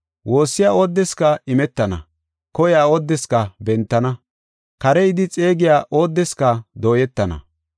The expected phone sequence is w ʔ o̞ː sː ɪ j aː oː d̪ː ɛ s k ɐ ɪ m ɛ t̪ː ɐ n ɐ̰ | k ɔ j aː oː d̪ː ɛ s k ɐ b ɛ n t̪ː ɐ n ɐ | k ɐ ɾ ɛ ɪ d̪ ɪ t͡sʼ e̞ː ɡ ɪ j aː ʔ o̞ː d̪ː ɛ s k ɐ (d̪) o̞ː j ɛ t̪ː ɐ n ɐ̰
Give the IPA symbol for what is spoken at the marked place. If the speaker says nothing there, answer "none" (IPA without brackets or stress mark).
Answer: d̪